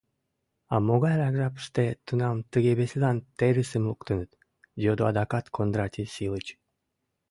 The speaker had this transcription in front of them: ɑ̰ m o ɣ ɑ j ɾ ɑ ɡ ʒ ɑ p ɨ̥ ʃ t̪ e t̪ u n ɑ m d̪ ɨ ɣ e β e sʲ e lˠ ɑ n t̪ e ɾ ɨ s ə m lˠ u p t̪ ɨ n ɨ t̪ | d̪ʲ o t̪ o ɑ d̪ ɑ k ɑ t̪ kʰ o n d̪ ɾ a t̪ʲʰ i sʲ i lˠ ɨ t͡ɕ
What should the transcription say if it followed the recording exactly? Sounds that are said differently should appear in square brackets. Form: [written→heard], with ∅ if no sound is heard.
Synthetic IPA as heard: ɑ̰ m o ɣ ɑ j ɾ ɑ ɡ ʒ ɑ p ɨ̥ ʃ t̪ e t̪ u n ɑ m [d̪→t̪] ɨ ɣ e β e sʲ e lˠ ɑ n t̪ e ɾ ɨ s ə m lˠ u [p→k] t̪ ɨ n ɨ t̪ | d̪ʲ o [t̪→d̪] o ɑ d̪ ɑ k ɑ t̪ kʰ o n d̪ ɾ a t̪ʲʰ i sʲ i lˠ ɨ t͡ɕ